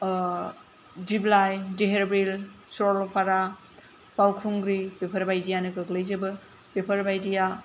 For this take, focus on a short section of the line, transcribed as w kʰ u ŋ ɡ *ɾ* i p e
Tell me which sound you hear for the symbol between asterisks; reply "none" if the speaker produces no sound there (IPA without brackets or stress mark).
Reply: ɾ